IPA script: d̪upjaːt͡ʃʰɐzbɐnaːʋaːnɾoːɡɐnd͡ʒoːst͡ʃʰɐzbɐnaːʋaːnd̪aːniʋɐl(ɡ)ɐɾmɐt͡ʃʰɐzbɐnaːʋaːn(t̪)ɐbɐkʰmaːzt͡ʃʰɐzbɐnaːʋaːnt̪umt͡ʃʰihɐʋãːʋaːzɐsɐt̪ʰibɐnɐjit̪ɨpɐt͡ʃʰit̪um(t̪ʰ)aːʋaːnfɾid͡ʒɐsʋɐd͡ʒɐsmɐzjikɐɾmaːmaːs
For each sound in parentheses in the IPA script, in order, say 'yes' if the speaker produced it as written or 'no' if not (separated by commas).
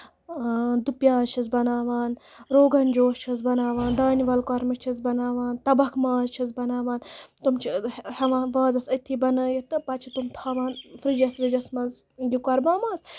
no, yes, yes